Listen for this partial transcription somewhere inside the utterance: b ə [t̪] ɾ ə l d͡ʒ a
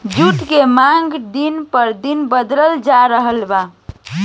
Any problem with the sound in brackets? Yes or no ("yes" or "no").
yes